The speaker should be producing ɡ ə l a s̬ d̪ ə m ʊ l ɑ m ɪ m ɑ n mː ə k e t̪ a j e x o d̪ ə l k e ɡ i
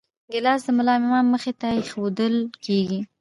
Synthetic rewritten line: ɡ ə l ɑ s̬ d̪ ə m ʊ l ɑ m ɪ m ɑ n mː ə x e t̪ a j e x o d̪ ə l k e ɡ i